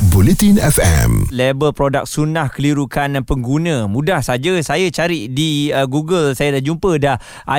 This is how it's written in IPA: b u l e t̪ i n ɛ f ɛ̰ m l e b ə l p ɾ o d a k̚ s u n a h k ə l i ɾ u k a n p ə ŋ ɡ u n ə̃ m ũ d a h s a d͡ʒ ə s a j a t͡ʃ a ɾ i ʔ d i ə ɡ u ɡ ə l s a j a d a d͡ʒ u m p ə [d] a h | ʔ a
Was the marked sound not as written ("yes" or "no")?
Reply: no